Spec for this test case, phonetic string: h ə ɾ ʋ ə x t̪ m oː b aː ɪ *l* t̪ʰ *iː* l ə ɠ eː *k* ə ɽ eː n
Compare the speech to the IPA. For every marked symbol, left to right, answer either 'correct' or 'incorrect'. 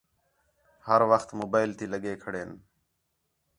correct, correct, incorrect

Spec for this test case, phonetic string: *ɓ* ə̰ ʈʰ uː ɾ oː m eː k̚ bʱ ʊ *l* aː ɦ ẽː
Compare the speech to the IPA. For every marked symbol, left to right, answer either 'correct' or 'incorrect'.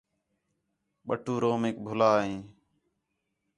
correct, correct

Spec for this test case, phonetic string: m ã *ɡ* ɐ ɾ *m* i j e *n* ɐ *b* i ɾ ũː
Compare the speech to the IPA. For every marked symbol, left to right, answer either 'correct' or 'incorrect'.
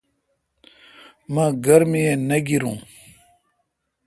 correct, correct, correct, incorrect

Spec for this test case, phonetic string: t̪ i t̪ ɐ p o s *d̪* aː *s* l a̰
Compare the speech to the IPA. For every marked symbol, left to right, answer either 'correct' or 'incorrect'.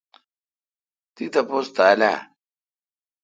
incorrect, incorrect

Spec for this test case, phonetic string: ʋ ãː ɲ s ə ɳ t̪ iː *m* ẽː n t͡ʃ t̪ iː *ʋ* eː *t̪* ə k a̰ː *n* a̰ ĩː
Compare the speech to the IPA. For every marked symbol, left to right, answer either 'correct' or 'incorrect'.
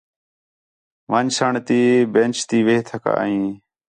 incorrect, correct, incorrect, incorrect

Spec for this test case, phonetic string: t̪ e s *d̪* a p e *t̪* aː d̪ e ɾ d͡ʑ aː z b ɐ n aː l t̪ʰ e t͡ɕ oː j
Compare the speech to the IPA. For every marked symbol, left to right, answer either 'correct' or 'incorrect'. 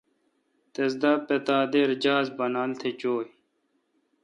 correct, correct

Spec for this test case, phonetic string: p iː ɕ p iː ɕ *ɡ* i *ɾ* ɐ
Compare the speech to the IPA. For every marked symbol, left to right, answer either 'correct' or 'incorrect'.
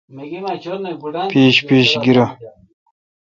correct, correct

